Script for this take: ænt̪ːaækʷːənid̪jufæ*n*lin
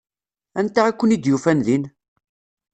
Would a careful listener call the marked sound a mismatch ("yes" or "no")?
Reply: no